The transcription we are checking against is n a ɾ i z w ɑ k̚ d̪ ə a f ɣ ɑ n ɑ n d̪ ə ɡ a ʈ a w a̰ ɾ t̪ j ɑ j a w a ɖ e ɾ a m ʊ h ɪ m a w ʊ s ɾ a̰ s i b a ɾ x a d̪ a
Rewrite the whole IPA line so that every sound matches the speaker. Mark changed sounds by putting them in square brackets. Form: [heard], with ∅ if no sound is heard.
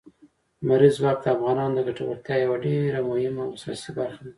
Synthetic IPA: [m] a ɾ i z w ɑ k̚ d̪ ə a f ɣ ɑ n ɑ n d̪ ə ɡ a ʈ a w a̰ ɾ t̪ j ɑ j a w a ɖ e ɾ a m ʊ h ɪ m a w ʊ s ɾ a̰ s i b a ɾ x a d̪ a